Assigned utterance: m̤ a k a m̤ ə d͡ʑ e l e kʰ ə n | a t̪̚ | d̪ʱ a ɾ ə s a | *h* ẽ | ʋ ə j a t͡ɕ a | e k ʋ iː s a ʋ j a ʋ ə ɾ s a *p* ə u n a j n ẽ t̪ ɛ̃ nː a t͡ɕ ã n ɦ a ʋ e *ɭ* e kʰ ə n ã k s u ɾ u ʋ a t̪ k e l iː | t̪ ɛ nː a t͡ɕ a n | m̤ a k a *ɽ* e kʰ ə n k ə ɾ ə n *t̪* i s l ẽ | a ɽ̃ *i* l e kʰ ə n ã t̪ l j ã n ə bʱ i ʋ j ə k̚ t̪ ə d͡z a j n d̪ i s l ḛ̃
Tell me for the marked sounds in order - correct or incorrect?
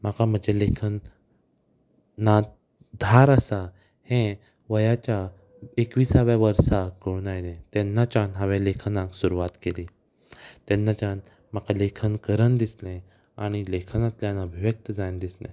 correct, incorrect: k, incorrect: l, incorrect: l, incorrect: d̪, correct

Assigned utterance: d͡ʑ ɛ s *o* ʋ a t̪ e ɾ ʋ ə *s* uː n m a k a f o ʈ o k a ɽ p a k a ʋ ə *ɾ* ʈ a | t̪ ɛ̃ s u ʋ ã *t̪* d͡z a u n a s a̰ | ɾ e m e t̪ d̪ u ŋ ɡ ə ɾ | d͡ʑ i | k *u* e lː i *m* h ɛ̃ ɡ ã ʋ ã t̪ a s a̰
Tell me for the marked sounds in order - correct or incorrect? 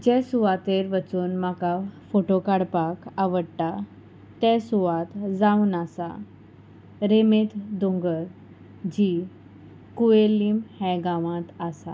incorrect: u, incorrect: t͡s, incorrect: ɽ, correct, correct, correct

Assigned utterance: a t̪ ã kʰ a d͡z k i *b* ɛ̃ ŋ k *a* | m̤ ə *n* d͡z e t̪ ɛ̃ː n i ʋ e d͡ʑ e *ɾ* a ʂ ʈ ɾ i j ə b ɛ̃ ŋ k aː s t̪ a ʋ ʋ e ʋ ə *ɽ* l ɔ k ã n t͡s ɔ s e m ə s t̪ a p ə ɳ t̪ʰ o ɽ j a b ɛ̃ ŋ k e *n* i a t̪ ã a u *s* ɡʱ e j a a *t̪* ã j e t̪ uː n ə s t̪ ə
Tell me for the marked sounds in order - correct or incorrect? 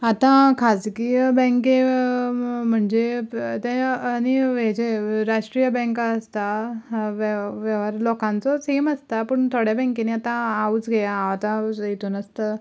correct, incorrect: e, incorrect: ɳ, correct, incorrect: ɾ, correct, incorrect: t͡s, correct

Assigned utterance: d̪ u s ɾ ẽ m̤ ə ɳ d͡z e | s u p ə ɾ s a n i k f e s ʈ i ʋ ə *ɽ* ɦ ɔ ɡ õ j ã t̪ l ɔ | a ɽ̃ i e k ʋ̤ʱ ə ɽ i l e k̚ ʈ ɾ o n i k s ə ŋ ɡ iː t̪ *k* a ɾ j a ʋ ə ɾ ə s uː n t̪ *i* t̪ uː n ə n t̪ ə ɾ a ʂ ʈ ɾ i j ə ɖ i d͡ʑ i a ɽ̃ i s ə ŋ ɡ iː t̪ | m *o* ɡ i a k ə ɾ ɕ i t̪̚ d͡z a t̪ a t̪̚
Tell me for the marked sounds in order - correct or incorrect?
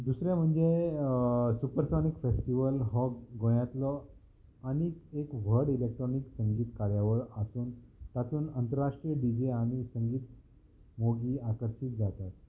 incorrect: l, correct, incorrect: a, correct

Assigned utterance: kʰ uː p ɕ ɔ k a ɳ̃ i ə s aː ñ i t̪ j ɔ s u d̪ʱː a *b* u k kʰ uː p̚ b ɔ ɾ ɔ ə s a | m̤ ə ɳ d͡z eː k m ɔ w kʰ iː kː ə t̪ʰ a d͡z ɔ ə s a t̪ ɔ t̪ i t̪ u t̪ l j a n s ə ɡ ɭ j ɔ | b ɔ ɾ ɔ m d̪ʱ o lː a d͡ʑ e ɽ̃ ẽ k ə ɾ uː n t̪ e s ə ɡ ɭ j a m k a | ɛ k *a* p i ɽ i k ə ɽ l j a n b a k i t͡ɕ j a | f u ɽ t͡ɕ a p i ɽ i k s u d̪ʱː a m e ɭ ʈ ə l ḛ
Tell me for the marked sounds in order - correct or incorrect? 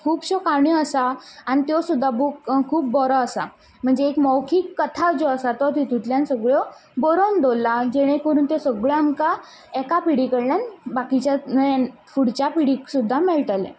correct, correct

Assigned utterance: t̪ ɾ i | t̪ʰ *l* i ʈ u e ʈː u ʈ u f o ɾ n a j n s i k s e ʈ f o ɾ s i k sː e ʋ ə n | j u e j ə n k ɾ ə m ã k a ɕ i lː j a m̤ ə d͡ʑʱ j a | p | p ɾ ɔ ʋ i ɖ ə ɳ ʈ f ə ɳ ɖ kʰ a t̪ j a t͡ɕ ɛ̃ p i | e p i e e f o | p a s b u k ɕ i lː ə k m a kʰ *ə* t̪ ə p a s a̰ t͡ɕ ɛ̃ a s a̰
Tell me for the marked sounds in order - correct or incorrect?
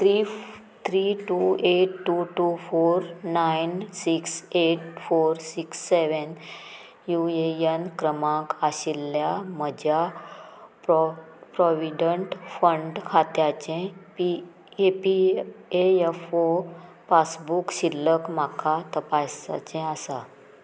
incorrect: ɾ, incorrect: a

